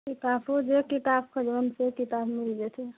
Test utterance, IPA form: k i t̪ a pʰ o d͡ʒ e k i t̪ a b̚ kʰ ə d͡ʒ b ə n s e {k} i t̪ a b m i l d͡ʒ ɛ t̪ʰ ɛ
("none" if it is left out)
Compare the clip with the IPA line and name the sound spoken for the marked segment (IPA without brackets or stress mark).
k